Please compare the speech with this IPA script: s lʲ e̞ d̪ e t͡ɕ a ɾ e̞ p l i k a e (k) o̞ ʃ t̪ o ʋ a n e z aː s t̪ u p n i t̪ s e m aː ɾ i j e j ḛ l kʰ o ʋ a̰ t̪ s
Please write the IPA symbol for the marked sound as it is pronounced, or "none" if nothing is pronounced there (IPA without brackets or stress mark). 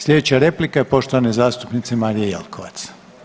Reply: p